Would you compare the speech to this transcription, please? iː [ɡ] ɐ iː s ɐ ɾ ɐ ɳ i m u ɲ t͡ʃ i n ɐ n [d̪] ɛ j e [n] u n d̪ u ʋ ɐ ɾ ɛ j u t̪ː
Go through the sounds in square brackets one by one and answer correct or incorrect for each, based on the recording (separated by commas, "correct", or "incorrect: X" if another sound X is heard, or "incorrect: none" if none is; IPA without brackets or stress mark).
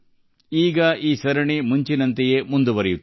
correct, incorrect: t̪, incorrect: m